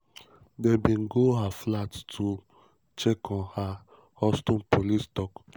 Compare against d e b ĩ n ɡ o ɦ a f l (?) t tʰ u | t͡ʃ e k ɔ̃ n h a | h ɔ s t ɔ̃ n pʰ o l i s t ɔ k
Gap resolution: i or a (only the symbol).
a